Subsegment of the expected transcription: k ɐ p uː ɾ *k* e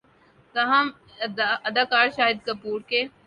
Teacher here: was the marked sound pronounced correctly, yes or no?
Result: yes